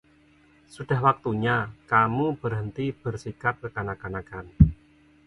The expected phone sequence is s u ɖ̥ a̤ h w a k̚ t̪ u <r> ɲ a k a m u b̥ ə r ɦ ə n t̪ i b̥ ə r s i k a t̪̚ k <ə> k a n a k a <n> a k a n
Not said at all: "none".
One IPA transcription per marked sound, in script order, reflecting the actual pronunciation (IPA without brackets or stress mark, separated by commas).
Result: none, ə, n